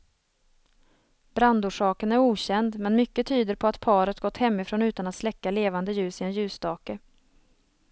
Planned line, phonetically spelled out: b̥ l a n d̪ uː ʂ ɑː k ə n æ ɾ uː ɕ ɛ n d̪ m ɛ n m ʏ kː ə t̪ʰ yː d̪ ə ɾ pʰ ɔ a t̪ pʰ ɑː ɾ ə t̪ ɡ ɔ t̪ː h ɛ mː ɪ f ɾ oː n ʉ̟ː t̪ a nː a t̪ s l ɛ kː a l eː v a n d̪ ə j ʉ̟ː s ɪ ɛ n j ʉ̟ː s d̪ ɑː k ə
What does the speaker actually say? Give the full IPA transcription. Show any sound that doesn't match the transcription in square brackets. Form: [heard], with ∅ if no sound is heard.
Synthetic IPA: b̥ [ɾ] a n d̪ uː ʂ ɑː k ə n æ ɾ uː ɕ ɛ n d̪ m ɛ n m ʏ kː ə t̪ʰ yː d̪ ə ɾ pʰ ɔ a t̪ pʰ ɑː ɾ ə t̪ ɡ ɔ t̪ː h ɛ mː ɪ f ɾ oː n ʉ̟ː t̪ a [n] a t̪ s l ɛ kː a l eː v a n d̪ ə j ʉ̟ː s ɪ ɛ n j ʉ̟ː s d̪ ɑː k ə